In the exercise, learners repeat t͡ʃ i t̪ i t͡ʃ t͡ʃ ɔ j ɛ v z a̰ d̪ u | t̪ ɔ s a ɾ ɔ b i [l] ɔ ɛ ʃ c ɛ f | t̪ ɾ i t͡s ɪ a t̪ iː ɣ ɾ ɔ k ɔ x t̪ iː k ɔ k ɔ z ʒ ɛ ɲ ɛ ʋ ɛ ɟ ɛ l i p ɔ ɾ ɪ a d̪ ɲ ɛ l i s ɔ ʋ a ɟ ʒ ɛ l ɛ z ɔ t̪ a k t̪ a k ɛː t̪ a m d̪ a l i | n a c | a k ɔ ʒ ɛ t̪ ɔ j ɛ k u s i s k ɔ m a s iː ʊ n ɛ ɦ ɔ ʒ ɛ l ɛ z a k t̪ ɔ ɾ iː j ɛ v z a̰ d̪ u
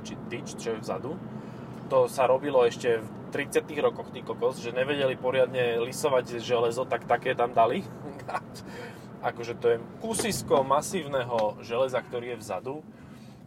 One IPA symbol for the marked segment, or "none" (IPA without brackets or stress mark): l